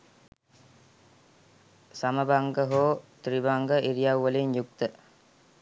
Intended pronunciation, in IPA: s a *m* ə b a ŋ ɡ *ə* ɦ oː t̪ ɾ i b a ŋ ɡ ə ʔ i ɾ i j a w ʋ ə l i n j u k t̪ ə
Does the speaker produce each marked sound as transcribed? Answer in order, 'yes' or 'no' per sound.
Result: yes, yes

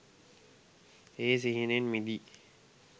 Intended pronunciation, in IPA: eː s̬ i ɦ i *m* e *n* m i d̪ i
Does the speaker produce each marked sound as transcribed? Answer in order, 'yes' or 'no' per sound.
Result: no, yes

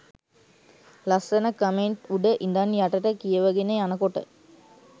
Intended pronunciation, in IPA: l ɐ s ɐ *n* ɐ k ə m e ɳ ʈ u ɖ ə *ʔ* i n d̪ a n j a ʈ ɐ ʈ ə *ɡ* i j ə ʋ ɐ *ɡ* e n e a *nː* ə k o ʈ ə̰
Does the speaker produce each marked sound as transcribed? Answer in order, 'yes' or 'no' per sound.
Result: yes, yes, no, yes, no

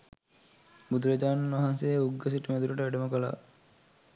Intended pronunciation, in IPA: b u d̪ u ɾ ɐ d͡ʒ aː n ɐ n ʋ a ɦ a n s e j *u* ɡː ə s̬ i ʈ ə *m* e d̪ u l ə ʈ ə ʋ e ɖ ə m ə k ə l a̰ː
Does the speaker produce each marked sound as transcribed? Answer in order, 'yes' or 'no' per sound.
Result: yes, yes

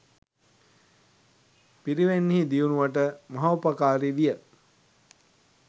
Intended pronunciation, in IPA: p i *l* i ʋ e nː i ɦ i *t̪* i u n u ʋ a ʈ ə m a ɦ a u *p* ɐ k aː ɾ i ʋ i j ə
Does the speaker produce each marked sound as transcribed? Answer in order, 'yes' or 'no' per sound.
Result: no, no, yes

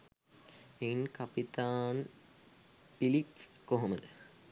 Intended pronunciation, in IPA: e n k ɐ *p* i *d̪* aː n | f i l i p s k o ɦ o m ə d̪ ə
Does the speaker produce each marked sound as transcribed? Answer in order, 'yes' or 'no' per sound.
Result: yes, no

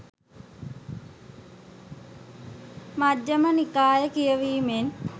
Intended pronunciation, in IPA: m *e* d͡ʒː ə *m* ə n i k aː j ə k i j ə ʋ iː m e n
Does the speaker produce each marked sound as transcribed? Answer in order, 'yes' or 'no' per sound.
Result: no, yes

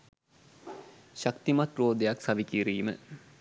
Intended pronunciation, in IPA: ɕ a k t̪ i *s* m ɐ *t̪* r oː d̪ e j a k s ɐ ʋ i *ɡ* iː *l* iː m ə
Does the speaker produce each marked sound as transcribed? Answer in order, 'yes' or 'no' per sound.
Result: no, yes, no, no

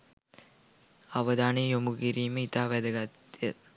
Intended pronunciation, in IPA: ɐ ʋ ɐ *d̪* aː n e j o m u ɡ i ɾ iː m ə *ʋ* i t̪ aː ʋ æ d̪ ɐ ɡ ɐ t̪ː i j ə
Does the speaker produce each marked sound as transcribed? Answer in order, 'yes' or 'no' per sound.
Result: yes, no

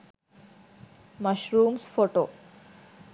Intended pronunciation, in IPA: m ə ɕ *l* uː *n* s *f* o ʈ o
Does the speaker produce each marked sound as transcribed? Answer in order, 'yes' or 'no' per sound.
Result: no, no, yes

